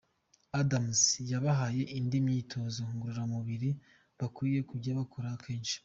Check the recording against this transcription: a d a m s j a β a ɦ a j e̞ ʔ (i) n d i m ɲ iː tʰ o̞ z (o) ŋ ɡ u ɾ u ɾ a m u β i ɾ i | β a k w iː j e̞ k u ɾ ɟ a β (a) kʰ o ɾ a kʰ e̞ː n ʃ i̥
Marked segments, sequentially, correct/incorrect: correct, correct, correct

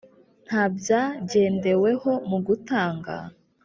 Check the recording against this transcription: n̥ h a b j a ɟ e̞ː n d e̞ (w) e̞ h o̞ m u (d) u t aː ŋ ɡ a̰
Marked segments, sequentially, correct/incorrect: correct, incorrect

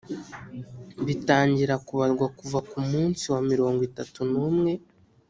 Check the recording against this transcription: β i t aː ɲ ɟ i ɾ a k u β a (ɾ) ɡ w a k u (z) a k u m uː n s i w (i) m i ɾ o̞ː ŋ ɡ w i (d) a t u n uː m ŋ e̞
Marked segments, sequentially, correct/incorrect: correct, incorrect, incorrect, incorrect

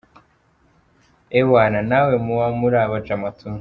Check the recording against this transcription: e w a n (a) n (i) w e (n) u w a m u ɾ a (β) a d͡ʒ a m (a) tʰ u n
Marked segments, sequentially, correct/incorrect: correct, incorrect, incorrect, correct, correct

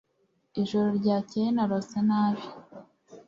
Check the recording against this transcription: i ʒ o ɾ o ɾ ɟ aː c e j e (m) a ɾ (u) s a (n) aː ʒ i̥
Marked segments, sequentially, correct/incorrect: incorrect, incorrect, correct

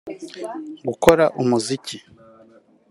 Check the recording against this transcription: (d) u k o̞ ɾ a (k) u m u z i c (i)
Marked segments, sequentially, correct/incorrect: incorrect, incorrect, correct

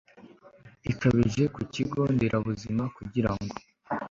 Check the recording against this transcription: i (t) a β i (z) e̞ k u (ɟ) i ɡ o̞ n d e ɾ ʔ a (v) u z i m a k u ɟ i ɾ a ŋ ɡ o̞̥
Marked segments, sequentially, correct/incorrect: incorrect, incorrect, incorrect, incorrect

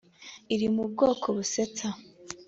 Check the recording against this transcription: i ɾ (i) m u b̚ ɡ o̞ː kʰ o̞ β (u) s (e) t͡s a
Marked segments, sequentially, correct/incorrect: correct, correct, correct

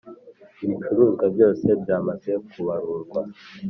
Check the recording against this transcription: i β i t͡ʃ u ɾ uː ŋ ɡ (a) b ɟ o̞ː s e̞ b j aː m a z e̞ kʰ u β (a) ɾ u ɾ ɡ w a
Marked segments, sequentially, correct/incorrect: correct, correct

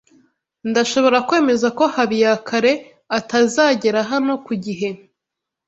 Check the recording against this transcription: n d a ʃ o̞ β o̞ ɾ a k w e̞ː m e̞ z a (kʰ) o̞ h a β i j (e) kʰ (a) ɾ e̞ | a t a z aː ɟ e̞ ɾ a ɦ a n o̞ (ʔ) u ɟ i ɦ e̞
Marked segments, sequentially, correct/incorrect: incorrect, incorrect, correct, incorrect

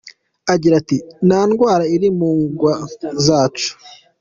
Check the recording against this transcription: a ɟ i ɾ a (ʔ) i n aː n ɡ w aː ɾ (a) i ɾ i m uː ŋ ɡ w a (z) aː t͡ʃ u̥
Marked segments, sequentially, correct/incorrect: incorrect, correct, correct

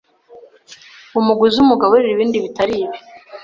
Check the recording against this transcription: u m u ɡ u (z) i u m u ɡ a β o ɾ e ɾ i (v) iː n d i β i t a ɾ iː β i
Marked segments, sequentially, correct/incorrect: correct, incorrect

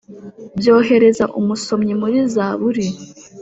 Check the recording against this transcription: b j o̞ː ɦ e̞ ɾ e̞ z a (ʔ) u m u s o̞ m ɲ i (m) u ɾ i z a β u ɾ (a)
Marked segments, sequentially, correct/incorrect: correct, correct, incorrect

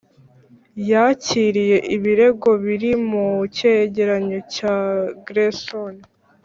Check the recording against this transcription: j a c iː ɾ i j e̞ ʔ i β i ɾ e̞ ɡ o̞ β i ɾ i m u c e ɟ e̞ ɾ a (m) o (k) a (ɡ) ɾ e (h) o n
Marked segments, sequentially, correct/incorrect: incorrect, incorrect, correct, incorrect

